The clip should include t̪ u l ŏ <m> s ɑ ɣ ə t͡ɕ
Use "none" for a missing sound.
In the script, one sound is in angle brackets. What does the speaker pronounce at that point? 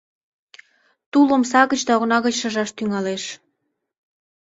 m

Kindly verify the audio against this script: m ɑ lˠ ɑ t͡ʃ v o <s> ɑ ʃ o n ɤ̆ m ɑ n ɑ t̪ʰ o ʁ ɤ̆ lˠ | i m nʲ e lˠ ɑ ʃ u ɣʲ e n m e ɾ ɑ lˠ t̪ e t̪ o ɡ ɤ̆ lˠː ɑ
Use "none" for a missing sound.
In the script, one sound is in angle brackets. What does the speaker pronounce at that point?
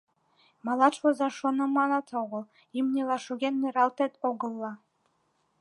z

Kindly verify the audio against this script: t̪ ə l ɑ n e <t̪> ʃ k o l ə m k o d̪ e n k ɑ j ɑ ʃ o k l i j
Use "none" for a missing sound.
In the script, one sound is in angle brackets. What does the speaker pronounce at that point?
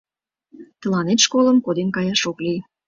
t̪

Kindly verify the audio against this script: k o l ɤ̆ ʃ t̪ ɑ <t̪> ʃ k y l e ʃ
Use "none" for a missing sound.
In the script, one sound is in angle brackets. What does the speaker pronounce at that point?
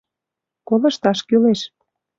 none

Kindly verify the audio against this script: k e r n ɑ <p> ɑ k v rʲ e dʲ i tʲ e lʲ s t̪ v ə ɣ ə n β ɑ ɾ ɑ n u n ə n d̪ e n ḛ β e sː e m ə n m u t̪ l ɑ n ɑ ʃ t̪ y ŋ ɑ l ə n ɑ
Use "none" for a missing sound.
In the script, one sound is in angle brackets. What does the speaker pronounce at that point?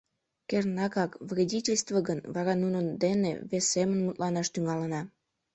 k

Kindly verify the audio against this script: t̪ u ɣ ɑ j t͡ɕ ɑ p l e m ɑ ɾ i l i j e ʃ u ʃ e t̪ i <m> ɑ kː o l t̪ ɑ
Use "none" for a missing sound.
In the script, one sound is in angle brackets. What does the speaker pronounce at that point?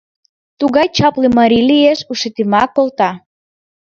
m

